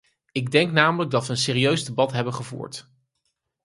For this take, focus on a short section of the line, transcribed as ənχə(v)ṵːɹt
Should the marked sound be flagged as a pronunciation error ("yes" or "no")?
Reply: no